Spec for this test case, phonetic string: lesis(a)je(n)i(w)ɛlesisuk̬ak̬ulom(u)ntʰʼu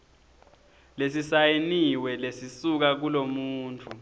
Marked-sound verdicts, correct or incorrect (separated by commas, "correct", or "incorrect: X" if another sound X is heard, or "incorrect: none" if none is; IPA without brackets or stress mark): correct, correct, correct, incorrect: uː